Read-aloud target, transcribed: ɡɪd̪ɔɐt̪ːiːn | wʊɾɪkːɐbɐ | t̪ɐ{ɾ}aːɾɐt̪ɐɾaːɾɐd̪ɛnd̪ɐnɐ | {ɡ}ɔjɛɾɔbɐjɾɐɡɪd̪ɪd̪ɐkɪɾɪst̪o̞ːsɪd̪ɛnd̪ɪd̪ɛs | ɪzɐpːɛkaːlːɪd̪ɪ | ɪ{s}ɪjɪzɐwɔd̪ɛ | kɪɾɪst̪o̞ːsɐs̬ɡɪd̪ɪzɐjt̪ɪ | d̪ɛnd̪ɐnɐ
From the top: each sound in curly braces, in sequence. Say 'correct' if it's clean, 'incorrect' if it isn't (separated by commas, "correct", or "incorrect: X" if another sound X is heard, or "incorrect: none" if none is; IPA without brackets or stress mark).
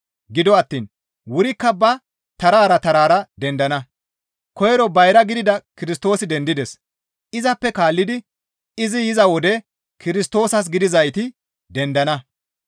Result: correct, incorrect: k, incorrect: z